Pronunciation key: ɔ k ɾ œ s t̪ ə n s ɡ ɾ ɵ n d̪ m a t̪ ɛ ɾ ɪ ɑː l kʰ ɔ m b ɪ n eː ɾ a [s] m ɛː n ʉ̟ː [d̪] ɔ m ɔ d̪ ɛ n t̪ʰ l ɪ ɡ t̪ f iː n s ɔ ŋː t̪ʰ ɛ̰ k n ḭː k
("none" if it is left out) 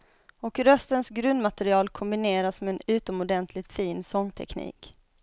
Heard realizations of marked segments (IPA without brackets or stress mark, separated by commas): s, t̪